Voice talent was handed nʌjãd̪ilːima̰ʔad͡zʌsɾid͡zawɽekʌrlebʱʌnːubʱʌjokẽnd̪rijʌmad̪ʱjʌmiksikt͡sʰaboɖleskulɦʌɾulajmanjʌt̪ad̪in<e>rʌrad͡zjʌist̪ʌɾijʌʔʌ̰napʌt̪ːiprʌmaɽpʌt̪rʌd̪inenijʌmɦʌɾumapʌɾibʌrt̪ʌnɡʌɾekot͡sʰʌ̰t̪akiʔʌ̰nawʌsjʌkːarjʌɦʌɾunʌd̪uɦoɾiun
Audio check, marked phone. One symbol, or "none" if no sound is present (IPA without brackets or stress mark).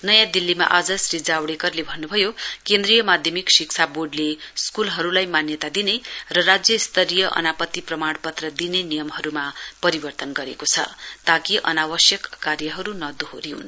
e